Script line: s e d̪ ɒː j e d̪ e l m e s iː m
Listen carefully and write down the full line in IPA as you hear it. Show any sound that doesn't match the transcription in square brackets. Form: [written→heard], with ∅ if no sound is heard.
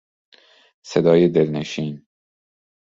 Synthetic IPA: s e d̪ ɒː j e d̪ e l [m→n] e [s→ʃ] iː [m→n]